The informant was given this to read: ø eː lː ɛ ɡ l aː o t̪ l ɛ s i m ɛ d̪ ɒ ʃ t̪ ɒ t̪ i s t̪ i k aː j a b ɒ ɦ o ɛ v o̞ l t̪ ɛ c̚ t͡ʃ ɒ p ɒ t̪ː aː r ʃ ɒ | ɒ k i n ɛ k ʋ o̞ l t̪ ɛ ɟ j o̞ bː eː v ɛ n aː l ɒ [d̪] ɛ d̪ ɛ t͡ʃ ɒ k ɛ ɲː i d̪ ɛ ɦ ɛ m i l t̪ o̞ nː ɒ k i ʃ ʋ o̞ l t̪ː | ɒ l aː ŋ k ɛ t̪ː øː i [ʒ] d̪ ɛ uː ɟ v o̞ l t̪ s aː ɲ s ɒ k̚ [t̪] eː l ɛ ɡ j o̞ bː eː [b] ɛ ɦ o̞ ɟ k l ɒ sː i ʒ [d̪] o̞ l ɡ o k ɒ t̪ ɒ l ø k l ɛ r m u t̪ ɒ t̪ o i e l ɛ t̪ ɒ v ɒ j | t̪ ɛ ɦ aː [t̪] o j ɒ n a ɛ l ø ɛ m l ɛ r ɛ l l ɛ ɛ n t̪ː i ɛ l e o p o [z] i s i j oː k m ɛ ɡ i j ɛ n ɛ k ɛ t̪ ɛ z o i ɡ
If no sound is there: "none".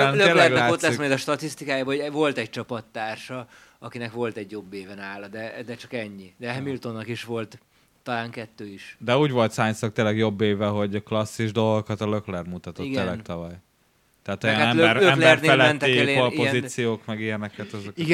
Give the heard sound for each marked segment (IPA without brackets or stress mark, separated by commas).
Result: d̪, ʃ, t̪, v, d̪, t̪, z